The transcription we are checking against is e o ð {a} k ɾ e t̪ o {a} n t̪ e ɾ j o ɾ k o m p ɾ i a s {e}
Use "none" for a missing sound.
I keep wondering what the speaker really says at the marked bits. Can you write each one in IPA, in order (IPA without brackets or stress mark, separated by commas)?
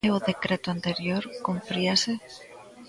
e, a, e